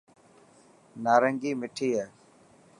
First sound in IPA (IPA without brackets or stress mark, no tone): n